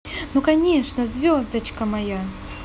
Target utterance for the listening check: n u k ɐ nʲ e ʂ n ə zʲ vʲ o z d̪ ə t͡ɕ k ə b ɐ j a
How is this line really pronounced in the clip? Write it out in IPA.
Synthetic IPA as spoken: n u k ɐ nʲ e ʂ n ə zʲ vʲ o z d̪ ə t͡ɕ k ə m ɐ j a